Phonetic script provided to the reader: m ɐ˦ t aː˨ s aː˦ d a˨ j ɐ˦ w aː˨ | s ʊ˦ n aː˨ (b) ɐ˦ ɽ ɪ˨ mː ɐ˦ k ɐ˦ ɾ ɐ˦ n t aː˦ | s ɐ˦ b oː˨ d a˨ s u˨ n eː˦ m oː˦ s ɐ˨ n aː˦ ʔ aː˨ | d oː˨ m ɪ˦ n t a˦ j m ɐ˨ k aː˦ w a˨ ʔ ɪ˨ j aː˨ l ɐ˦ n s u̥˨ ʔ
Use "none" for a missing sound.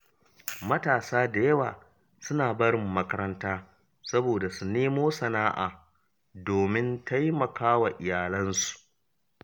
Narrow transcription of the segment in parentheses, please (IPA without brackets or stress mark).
b